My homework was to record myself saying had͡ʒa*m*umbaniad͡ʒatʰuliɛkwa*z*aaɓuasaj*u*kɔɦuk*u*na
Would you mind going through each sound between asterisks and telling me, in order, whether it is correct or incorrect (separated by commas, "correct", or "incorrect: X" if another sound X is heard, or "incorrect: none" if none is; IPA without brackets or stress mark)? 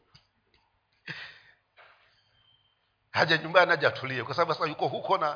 incorrect: ɲ, incorrect: s, correct, incorrect: ɔ